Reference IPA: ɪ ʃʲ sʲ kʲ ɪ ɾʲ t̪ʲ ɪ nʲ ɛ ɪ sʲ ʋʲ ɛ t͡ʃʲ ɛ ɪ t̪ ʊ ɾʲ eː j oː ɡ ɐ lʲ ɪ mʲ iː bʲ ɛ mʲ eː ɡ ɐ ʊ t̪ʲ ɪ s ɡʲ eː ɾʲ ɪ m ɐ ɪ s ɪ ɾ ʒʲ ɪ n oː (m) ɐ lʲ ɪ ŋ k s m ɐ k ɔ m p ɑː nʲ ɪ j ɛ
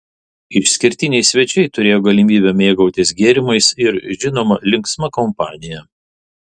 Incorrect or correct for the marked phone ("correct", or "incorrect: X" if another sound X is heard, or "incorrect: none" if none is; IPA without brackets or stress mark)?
correct